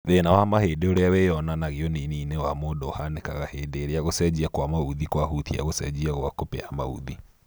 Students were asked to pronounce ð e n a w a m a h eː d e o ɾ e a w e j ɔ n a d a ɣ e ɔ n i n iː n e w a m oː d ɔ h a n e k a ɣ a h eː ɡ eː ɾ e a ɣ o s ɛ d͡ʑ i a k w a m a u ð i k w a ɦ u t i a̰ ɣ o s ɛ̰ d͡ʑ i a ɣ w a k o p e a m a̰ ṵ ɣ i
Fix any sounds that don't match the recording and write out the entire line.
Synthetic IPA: ð e n a w a m a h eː d e o ɾ e a w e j ɔ n a n a ɣ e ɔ n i n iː n e w a m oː d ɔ h a n e k a ɣ a h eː d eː ɾ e a ɣ o s ɛ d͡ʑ i a k w a m a u ð i k w a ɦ u t i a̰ ɣ o s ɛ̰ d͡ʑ i a ɣ w a k o p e a m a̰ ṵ ð i

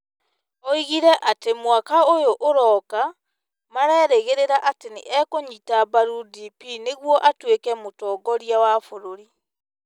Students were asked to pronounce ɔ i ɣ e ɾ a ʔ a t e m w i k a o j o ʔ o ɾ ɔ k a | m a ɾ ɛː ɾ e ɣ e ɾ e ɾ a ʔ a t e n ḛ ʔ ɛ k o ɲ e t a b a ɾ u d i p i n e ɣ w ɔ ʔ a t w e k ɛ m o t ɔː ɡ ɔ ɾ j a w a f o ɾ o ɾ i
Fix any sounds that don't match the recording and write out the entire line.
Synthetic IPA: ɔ i ɣ i ɾ ɛ ʔ a t e m w a k a o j o ʔ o ɾ ɔ k a | m a ɾ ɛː ɾ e ɣ e ɾ e ɾ a ʔ a t e n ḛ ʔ ɛ k o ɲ i t a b a ɾ u d i p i n e ɣ w ɔ ʔ a t w e k ɛ m o t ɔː ɡ ɔ ɾ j a w a f o ɾ o ɾ i

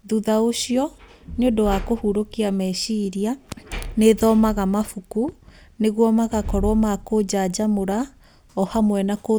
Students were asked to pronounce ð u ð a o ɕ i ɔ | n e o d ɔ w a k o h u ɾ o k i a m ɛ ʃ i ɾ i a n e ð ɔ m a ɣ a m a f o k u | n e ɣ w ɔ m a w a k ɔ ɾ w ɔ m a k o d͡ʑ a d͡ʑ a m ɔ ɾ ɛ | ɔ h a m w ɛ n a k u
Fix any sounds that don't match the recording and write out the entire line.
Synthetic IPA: ð u ð a o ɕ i ɔ | n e o d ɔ w a k o h u ɾ o k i a m ɛ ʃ i ɾ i a n e ð ɔ m a ɣ a m a f u k u | n e ɣ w ɔ m a ɣ a k ɔ ɾ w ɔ m a k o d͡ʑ a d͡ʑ a m o ɾ a | ɔ h a m w ɛ n a k o

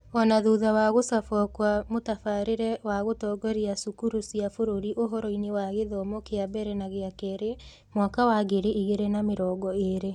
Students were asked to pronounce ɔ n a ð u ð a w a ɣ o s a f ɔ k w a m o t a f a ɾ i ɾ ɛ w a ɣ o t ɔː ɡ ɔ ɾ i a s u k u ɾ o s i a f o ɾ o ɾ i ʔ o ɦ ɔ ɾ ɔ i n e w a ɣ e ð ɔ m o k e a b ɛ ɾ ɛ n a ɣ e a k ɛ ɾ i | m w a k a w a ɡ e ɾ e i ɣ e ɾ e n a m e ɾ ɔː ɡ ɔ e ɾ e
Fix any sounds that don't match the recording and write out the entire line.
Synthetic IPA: ɔ n a ð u ð a w a ɣ o s a f ɔ k w a m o t a f a ɾ e ɾ ɛ w a ɣ o t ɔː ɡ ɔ ɾ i a s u k u ɾ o s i a f o ɾ o ɾ i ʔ o ɦ ɔ ɾ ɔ i n e w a ɣ e ð ɔ m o k e a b ɛ ɾ ɛ n a ɣ e a k ɛ ɾ e | m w a k a w a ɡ e ɾ e i ɣ e ɾ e n a m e ɾ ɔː ɡ ɔ e ɾ e

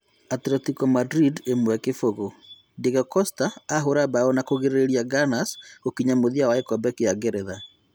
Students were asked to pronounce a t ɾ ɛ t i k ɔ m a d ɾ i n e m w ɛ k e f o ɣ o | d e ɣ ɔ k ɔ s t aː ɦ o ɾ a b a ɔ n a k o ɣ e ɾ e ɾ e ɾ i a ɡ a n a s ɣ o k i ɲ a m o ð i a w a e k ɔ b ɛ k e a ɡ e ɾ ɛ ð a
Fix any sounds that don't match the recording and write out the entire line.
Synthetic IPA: a t ɾ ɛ t i k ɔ m a d ɾ i d e m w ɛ k e f o ɣ o | d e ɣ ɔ k ɔ s t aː ɦ o ɾ a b a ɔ n a k o ɣ e ɾ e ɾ e ɾ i a ɡ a n a s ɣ o k i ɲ a m o ð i a w a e k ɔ b ɛ k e a ɡ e ɾ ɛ ð a

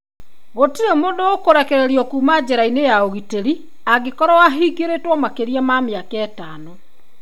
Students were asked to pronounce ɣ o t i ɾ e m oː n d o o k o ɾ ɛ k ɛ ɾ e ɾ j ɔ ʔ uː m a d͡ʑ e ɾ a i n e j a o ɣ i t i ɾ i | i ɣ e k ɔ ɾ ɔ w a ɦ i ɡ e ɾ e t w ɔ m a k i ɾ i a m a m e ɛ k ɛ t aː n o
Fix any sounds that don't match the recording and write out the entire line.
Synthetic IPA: ɣ o t i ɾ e m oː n d o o k o ɾ ɛ k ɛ ɾ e ɾ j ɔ k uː m a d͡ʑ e ɾ a i n e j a o ɣ i t e ɾ i | a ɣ e k ɔ ɾ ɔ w a ɦ i ɡ e ɾ e t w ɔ m a k e ɾ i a m a m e a k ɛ t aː n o

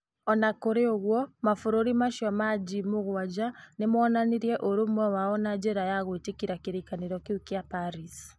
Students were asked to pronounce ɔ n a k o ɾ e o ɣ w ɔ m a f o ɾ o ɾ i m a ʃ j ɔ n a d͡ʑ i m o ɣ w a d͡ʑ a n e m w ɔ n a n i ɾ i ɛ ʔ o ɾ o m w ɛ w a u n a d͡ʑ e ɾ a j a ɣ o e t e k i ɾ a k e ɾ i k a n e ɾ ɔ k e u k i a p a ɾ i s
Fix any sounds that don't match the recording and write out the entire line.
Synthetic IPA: ɔ n a k o ɾ e o ɣ w ɔ m a f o ɾ o ɾ i m a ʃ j ɔ m a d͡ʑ i m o ɣ w a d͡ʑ a n e m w ɔ n a n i ɾ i ɛ ʔ o ɾ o m w ɛ w a ɔ n a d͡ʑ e ɾ a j a ɣ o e t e k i ɾ a k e ɾ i k a n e ɾ ɔ k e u k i a p a ɾ i s

